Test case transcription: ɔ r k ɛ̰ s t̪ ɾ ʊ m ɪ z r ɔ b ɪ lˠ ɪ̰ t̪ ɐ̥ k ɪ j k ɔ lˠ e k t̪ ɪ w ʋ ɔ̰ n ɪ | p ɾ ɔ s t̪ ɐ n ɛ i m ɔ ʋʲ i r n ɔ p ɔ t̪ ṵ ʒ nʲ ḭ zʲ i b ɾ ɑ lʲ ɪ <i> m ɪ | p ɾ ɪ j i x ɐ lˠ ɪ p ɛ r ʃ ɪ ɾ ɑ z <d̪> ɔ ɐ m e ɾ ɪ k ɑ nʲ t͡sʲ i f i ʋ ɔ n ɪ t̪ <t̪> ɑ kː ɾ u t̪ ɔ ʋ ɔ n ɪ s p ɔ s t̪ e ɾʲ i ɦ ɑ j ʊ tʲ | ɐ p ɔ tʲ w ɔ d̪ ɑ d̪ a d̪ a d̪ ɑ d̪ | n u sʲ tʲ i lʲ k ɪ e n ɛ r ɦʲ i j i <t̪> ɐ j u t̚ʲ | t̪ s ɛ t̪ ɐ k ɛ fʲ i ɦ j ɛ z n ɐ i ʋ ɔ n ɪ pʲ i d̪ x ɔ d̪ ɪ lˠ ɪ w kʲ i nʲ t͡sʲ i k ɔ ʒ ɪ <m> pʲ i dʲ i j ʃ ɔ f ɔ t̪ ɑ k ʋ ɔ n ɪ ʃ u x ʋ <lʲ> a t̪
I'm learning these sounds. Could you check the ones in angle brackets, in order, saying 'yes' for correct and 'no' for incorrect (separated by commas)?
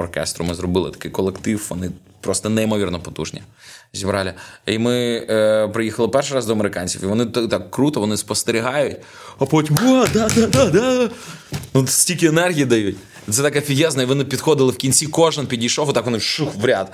yes, yes, yes, no, no, no